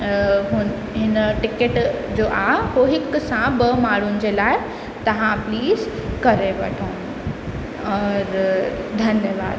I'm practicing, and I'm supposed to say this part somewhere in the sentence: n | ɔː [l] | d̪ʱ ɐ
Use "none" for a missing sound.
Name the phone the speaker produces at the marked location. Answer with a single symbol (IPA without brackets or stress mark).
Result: ɾ